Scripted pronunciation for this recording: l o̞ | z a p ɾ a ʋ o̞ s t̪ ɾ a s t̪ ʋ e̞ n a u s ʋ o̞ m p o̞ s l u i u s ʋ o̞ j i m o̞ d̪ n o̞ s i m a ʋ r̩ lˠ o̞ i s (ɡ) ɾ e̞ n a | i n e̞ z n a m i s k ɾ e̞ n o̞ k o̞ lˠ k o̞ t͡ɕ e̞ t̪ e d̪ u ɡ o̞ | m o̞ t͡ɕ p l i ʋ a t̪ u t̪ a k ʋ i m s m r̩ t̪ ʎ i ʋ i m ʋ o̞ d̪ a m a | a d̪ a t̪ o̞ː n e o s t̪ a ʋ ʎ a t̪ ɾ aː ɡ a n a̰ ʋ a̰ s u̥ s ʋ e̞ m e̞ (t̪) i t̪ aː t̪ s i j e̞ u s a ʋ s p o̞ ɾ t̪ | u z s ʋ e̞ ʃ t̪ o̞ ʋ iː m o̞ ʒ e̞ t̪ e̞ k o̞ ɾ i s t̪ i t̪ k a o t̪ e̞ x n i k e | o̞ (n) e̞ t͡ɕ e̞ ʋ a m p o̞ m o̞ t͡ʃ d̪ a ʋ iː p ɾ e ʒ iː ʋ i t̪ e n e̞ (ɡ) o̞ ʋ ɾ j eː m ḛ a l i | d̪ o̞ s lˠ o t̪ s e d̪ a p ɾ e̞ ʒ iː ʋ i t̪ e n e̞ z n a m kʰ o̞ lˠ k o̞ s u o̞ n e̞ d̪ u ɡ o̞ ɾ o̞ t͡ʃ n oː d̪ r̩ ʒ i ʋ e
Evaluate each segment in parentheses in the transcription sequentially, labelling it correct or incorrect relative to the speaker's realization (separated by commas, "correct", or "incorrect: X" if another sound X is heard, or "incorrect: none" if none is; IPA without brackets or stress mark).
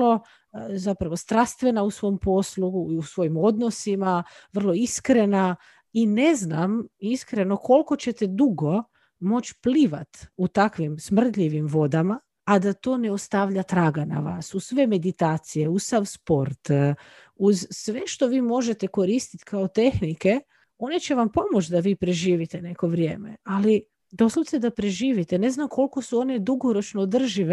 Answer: incorrect: k, incorrect: d̪, correct, incorrect: k